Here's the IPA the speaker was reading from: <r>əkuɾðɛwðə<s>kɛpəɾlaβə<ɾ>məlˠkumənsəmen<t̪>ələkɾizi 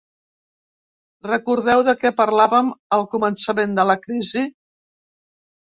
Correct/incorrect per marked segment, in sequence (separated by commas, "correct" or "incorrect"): correct, incorrect, incorrect, incorrect